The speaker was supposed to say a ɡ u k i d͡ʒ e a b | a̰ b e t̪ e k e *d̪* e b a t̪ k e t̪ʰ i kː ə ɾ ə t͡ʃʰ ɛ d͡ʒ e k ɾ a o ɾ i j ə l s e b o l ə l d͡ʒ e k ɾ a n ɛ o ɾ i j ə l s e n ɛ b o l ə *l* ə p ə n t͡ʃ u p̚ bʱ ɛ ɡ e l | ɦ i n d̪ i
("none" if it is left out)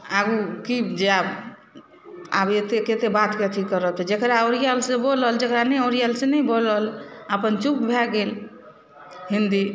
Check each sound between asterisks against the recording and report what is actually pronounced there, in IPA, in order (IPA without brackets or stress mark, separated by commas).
t̪, l